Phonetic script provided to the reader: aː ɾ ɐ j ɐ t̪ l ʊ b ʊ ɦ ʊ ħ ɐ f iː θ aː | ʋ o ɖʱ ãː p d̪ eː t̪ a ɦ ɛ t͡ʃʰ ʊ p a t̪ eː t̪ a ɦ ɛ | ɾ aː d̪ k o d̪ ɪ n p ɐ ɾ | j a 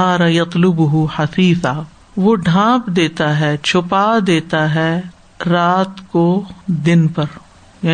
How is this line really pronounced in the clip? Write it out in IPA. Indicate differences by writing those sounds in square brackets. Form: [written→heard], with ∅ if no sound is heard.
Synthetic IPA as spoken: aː ɾ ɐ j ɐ t̪ l ʊ b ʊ ɦ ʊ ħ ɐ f iː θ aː | ʋ o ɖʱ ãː p d̪ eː t̪ a ɦ ɛ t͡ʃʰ ʊ p a [t̪→d̪] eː t̪ a ɦ ɛ | ɾ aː [d̪→t̪] k o d̪ ɪ n p ɐ ɾ | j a